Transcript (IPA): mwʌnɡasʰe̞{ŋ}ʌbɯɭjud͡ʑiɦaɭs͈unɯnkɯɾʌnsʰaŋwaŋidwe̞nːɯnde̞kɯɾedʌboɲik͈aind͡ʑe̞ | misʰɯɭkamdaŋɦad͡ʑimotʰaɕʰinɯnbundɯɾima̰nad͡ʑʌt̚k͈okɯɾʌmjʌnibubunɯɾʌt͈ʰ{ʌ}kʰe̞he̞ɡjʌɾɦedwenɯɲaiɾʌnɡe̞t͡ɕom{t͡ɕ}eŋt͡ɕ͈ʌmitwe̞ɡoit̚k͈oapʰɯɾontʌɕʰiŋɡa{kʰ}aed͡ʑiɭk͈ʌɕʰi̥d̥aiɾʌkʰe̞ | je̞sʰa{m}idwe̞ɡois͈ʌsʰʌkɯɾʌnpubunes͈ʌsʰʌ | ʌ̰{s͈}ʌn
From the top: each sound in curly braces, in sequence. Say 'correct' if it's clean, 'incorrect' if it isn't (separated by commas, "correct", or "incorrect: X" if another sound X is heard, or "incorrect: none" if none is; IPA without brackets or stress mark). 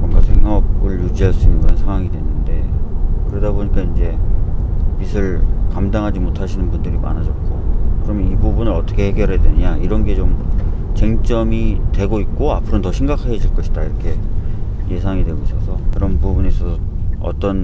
correct, correct, correct, correct, incorrect: ŋ, incorrect: t͈